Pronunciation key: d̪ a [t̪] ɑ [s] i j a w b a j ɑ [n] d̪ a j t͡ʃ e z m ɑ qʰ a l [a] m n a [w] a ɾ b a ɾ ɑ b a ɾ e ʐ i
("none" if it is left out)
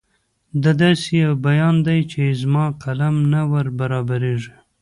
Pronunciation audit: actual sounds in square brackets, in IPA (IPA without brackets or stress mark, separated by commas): d̪, s, n, a, w